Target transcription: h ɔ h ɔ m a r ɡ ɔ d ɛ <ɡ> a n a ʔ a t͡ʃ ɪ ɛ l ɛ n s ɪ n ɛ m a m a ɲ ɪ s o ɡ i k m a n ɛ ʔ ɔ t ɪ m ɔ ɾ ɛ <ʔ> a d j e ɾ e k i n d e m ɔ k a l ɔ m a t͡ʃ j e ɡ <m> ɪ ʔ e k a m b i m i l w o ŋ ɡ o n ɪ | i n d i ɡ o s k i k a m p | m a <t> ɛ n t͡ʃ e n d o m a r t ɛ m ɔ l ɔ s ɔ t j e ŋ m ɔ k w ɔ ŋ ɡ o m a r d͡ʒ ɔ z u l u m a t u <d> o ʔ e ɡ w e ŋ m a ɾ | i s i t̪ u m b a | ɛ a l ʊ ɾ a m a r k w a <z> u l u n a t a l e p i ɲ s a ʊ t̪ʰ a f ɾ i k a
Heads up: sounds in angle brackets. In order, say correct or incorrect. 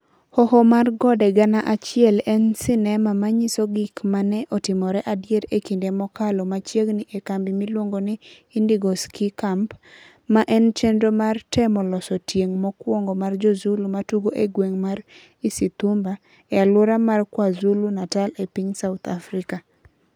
correct, correct, incorrect: n, incorrect: ʔ, incorrect: ɡ, correct

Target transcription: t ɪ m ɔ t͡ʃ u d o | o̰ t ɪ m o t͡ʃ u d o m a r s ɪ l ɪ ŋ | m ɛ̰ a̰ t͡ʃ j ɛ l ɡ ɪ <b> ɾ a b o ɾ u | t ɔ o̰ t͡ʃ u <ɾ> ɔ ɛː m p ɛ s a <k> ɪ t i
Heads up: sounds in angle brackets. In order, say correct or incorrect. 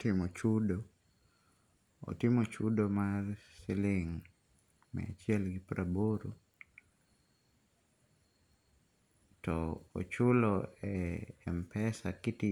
incorrect: p, incorrect: l, correct

